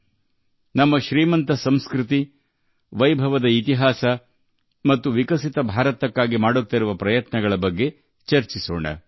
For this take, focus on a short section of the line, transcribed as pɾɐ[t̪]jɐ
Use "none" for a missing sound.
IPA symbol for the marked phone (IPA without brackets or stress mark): none